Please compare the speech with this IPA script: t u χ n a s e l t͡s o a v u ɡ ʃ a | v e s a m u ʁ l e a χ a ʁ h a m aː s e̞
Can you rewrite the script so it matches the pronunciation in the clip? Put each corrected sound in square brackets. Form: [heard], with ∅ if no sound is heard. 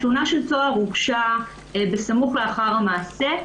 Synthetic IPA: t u [∅] n a [ʃ] e l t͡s o a [ʁ] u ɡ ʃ a | [b] e s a m u [χ] l e a χ a ʁ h a m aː s e̞